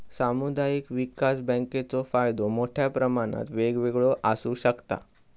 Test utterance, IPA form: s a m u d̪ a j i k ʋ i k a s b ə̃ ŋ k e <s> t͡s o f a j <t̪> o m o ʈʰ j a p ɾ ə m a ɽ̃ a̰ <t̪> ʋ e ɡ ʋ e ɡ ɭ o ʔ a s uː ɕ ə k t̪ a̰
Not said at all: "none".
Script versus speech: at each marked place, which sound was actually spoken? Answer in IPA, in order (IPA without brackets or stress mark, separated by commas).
none, d̪, t̪